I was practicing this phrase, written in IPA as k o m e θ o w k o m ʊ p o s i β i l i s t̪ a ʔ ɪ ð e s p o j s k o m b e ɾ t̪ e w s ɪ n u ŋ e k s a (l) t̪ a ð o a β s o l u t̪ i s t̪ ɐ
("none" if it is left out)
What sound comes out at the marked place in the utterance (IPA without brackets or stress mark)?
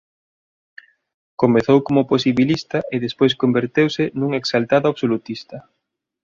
l